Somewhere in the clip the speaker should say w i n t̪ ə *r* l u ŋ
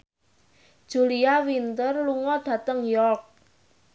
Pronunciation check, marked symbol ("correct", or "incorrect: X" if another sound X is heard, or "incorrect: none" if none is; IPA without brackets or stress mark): correct